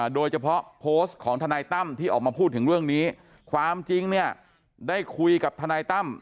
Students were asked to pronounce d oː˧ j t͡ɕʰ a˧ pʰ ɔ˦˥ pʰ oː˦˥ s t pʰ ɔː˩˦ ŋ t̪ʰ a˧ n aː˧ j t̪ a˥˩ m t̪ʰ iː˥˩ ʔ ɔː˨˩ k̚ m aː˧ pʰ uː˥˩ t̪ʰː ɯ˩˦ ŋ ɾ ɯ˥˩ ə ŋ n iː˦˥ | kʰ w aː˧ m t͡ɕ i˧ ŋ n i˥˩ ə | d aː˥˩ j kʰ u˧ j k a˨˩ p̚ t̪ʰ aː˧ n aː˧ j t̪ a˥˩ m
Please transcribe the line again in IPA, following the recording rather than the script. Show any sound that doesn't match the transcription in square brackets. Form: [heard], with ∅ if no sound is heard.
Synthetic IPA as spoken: d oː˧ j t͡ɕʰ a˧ pʰ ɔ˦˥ pʰ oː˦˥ s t [kʰ] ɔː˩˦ ŋ t̪ʰ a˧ n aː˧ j t̪ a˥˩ m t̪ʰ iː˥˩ ʔ ɔː˨˩ k̚ m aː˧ pʰ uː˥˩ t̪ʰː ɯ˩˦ ŋ ɾ ɯ˥˩ ə ŋ n iː˦˥ | kʰ w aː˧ m t͡ɕ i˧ ŋ n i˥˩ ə | d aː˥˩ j kʰ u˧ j k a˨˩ p̚ t̪ʰ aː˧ n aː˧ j t̪ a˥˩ m